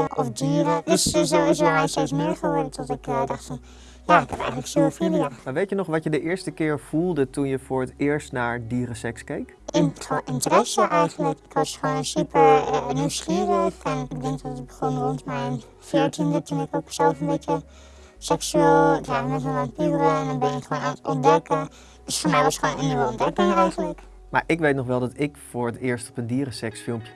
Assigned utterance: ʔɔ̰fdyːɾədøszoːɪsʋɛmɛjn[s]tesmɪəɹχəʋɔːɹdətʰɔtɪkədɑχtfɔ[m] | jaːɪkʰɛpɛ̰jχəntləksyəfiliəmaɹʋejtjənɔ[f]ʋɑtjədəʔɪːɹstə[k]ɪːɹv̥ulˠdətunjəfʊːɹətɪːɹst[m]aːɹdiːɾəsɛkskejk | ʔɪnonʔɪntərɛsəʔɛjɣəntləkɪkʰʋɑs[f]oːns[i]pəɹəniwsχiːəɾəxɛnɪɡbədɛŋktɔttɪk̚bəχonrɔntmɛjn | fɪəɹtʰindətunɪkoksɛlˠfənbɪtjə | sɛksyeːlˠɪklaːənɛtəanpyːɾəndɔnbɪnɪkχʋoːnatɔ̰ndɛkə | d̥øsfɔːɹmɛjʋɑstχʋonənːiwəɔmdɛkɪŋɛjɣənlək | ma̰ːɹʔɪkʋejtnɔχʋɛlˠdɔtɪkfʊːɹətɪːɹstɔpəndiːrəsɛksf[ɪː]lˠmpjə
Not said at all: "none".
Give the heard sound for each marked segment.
s, n, χ, k, n, χ, y, ɪ

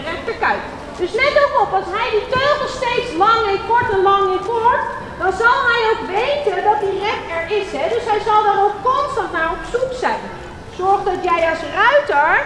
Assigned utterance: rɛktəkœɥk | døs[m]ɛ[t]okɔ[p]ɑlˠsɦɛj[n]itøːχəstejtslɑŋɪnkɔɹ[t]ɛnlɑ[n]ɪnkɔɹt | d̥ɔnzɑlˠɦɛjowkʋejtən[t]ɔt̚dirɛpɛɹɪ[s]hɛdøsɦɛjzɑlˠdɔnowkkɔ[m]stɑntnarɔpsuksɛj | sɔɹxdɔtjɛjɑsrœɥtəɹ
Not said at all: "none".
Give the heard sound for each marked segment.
n, t, p, d, t, ŋ, d, s, n

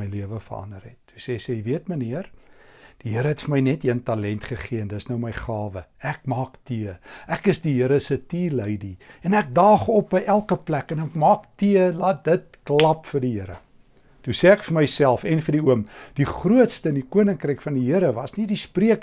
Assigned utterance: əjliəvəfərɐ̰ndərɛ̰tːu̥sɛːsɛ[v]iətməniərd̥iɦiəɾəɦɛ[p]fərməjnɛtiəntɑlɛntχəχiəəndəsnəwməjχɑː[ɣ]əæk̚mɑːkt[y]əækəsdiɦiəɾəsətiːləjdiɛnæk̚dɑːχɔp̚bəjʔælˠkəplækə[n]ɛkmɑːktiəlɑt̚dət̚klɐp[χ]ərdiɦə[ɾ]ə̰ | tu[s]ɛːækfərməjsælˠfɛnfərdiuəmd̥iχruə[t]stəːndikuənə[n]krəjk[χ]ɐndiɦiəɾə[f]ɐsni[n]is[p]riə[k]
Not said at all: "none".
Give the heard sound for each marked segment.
v, t, v, i, n, f, ɾ, s, t, ŋ, f, v, d, p, k

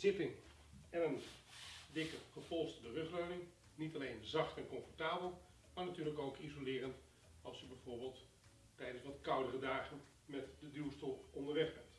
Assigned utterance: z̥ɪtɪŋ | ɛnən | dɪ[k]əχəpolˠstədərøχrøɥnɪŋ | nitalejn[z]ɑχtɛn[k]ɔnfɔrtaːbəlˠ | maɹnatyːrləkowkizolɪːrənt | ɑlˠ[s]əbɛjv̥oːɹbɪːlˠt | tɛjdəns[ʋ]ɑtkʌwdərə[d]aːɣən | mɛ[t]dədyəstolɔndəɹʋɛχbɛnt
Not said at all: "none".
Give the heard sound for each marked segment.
k, z, k, s, ʋ, d, t

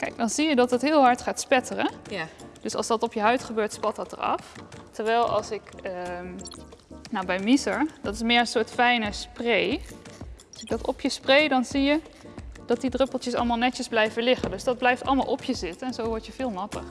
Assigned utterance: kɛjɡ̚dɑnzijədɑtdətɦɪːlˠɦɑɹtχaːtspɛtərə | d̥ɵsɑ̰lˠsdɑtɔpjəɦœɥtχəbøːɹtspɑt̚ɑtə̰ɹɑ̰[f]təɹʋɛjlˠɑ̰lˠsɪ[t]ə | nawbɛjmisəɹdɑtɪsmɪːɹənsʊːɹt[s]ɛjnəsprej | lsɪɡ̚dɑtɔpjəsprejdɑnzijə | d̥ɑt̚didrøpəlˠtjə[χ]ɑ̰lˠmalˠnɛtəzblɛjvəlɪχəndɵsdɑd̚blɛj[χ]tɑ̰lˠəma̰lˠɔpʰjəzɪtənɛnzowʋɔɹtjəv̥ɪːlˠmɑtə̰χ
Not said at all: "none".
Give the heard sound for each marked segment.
f, k, f, s, f

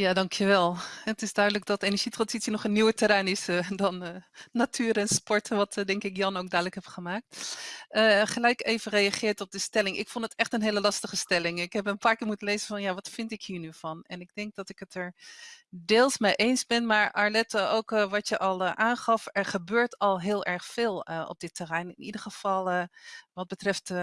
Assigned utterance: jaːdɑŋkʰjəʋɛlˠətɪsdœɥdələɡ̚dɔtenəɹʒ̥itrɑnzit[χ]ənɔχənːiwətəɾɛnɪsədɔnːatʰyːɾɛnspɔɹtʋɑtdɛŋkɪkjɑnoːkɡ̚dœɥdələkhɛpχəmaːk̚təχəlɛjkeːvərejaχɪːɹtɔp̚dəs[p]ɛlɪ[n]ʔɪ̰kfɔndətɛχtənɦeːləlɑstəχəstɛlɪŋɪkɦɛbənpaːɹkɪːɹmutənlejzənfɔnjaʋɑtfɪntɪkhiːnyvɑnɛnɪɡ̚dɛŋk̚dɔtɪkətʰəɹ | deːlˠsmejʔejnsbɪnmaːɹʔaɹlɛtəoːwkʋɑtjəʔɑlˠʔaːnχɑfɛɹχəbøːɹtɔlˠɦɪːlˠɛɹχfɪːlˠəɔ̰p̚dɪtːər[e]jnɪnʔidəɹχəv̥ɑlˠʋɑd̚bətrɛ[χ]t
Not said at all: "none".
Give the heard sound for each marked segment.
s, t, ŋ, ɛ, f

